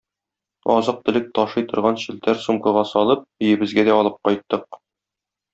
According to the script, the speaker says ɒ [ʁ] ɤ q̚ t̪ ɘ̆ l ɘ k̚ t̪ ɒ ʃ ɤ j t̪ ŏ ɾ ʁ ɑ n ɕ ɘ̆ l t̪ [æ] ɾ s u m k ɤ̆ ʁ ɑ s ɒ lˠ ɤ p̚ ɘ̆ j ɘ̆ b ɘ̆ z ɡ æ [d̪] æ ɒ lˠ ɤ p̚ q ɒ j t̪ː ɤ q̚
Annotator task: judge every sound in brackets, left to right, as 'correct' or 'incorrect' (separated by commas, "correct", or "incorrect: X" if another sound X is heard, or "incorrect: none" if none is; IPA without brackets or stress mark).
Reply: incorrect: z, correct, correct